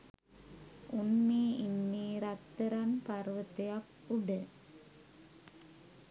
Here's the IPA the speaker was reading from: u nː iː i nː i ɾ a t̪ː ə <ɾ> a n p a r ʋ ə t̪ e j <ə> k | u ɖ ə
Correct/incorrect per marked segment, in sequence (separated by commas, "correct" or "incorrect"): correct, incorrect